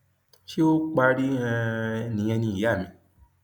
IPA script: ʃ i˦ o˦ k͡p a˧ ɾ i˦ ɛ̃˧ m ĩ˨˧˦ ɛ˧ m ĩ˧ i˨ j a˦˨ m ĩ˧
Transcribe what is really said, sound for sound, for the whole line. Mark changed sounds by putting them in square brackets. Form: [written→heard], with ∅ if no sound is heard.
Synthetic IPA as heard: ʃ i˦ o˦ k͡p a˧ ɾ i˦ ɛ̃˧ [m→n] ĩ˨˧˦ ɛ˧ [m→n] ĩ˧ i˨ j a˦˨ m ĩ˧